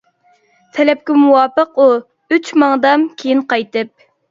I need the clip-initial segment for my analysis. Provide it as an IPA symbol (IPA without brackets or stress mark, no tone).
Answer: t̪ʰ